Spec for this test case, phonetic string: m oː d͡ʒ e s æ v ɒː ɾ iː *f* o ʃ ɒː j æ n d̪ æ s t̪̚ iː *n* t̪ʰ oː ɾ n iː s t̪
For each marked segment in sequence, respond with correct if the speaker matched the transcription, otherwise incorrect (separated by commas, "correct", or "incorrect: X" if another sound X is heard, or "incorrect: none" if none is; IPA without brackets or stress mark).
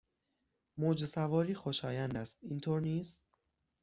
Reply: incorrect: x, correct